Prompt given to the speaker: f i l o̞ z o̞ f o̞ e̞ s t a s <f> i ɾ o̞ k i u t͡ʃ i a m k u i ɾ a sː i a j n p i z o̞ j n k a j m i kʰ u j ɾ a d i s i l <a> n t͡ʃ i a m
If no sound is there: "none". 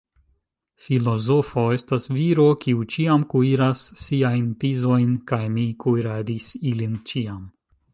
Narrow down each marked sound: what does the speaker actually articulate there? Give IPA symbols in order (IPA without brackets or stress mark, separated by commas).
v, i